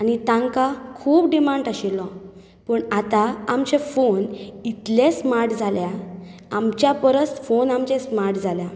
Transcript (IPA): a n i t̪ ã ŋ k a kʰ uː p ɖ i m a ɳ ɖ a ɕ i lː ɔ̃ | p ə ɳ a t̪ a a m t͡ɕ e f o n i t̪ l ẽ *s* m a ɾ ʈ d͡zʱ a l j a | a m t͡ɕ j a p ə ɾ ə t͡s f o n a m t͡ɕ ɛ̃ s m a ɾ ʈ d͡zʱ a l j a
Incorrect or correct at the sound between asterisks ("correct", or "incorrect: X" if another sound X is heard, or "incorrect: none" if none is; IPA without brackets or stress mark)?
correct